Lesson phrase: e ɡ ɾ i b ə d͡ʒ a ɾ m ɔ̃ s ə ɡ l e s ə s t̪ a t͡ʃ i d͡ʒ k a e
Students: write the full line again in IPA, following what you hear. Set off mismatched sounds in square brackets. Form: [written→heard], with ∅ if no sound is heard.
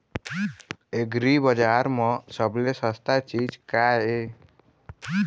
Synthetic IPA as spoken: e ɡ ɾ i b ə d͡ʒ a ɾ m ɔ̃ s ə [ɡ→b] l e s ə s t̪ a t͡ʃ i d͡ʒ k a e